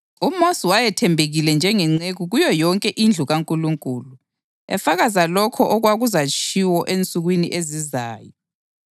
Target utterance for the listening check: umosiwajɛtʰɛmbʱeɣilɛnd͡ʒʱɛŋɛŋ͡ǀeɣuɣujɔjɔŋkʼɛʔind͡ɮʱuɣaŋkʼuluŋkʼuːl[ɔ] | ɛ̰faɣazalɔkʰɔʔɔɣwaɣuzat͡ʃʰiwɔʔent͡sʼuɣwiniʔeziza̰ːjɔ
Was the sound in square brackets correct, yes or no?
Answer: no